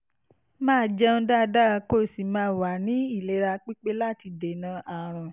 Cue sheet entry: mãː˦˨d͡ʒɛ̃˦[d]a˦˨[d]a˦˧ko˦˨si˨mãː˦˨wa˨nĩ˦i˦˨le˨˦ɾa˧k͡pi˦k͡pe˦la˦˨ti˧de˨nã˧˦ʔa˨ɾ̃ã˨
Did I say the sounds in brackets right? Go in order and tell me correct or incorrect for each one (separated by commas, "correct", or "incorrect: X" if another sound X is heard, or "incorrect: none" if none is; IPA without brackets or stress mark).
correct, correct